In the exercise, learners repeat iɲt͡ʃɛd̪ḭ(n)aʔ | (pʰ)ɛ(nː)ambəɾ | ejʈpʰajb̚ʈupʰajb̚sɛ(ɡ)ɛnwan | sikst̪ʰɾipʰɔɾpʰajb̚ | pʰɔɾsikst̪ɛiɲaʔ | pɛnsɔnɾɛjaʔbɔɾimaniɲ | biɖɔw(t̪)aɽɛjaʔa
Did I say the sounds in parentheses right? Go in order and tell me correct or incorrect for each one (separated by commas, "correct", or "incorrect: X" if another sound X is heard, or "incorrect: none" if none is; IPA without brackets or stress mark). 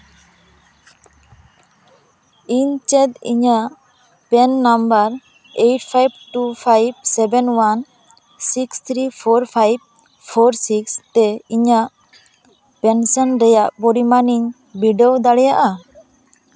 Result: incorrect: ɲ, incorrect: p, correct, incorrect: b, incorrect: d̪